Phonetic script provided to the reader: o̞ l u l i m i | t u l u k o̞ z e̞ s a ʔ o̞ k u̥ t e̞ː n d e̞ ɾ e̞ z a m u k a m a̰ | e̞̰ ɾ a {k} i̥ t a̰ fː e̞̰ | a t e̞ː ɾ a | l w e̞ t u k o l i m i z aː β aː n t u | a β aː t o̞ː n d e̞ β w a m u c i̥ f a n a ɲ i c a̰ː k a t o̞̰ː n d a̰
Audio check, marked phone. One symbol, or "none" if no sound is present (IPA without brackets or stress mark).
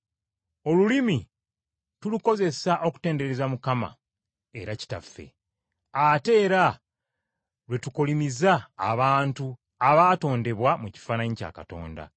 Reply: c